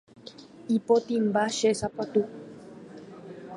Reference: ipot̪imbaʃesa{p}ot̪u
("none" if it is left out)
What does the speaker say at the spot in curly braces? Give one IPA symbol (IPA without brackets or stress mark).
p